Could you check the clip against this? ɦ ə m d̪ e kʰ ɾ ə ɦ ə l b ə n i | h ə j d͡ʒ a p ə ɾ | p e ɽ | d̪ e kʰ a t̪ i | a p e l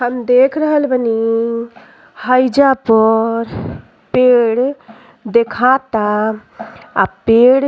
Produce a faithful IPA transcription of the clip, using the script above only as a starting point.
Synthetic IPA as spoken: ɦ ə m d̪ e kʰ ɾ ə ɦ ə l b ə n i | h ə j d͡ʒ a p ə ɾ | p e ɽ | d̪ e kʰ a t̪ a | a p e ɽ